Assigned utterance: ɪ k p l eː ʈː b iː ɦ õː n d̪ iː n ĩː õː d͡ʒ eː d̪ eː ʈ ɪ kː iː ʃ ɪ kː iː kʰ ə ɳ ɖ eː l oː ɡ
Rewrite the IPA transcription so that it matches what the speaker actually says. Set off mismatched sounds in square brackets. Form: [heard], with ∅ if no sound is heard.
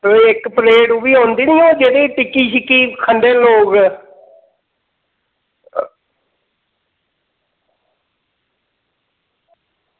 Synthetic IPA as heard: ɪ k p l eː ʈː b iː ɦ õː n d̪ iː n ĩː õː d͡ʒ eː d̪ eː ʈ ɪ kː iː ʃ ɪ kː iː kʰ ə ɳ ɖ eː l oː ɡ